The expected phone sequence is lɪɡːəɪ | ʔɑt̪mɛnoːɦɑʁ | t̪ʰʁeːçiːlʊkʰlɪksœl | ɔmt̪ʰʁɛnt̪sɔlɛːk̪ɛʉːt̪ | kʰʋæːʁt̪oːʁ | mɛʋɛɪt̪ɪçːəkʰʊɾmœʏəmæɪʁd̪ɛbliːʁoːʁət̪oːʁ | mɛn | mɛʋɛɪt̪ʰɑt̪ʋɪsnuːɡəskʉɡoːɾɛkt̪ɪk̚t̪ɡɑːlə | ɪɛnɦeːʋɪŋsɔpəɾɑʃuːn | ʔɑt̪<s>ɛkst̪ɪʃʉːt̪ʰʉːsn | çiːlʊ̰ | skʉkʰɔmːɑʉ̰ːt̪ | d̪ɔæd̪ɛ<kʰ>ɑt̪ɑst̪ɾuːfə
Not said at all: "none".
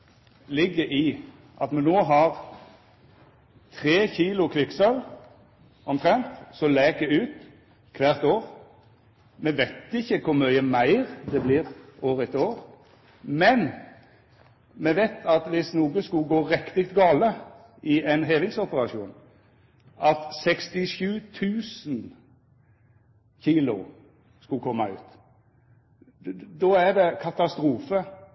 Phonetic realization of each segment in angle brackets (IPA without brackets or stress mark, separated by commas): s, kʰ